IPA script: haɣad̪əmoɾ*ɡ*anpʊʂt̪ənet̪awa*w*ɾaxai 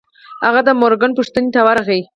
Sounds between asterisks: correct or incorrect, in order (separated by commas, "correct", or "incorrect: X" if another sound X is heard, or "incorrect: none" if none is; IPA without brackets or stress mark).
correct, incorrect: none